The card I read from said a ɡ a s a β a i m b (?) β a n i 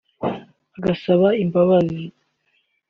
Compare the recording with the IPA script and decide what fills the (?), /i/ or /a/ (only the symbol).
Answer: a